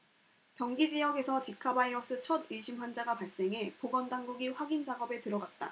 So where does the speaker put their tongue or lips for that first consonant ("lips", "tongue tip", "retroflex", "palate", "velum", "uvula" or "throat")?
velum